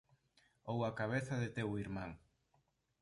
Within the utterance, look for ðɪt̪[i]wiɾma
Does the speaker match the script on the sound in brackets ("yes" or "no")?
no